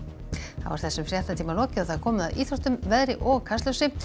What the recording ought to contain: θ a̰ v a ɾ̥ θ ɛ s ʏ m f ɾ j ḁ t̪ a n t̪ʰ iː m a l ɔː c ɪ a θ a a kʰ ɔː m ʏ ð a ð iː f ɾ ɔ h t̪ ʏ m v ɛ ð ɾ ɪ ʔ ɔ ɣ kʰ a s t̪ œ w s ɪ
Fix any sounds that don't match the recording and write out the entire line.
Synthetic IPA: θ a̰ v a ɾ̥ θ ɛ s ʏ m f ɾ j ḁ t̪ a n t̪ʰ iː m a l ɔː c ɪ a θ a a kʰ ɔː m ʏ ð a ð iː θ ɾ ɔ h t̪ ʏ m v ɛ ð ɾ ɪ ʔ ɔ ɣ kʰ a s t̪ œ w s ɪ